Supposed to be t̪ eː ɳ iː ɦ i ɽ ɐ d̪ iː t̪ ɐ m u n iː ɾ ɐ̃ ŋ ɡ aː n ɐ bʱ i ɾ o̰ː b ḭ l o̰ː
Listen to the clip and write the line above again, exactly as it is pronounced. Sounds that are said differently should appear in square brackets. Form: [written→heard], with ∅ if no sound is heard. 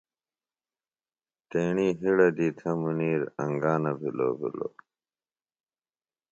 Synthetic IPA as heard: t̪ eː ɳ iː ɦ i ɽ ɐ d̪ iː [t̪→t̪ʰ] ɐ m u n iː ɾ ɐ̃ ŋ ɡ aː n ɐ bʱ i [ɾ→l] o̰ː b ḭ l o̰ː